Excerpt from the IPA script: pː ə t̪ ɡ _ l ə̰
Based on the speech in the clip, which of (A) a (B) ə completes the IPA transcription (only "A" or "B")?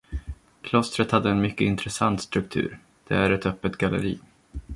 A